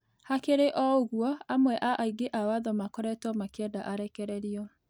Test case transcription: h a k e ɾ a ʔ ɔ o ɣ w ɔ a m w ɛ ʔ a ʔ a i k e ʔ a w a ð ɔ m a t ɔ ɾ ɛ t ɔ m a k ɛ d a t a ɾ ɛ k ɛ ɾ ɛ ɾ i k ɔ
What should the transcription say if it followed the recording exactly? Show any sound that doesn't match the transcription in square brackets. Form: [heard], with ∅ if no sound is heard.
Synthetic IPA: h a k e ɾ [e] ʔ ɔ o ɣ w ɔ a m w ɛ ʔ a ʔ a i [ɡ] e ʔ a w a ð ɔ m a [k] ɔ ɾ ɛ t ɔ m a k ɛ d a [ʔ] a ɾ ɛ k ɛ ɾ ɛ ɾ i [∅] ɔ